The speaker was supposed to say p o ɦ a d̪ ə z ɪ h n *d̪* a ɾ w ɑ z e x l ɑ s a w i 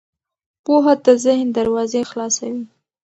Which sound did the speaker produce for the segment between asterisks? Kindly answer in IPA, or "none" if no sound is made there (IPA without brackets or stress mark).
d̪